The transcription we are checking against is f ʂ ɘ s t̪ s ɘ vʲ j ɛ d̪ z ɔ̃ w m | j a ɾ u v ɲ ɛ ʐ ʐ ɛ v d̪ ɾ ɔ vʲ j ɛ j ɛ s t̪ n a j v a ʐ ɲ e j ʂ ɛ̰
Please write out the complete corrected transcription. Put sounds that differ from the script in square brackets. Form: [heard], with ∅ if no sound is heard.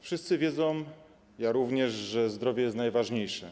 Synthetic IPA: f ʂ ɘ s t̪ s ɘ vʲ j ɛ d̪ z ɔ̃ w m | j a ɾ u v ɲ ɛ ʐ ʐ ɛ [z] d̪ ɾ ɔ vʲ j ɛ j ɛ s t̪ n a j v a ʐ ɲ e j ʂ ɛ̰